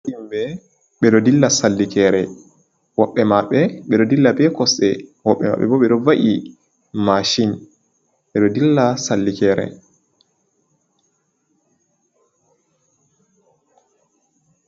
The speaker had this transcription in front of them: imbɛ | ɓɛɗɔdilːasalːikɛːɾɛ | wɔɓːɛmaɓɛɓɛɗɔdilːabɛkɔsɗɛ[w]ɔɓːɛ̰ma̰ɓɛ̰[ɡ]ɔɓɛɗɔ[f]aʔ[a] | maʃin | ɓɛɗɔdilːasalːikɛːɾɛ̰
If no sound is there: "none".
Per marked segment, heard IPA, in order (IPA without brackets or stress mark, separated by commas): w, b, v, i